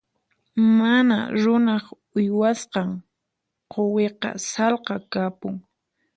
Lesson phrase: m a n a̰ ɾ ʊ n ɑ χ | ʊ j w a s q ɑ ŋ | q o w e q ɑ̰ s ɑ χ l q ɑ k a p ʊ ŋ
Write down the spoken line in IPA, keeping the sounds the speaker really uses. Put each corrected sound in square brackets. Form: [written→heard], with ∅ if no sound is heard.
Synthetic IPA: m a n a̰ ɾ ʊ n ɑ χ | ʊ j w a s q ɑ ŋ | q o w e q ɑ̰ s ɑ [χ→∅] l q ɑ k a p ʊ ŋ